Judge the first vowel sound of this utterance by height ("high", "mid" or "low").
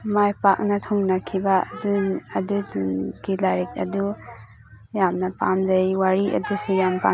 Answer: low